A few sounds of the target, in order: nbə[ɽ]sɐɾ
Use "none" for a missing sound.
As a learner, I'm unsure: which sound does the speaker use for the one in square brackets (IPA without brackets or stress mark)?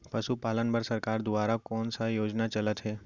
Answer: ɾ